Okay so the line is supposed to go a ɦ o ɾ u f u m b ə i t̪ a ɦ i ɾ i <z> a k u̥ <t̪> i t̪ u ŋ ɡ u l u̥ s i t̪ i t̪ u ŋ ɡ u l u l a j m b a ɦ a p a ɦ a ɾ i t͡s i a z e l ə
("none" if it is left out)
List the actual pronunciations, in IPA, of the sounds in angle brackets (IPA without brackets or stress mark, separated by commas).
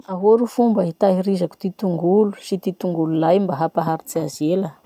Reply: z, t̪